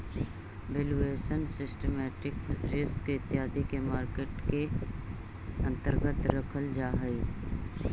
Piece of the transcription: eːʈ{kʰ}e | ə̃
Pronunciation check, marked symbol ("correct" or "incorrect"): incorrect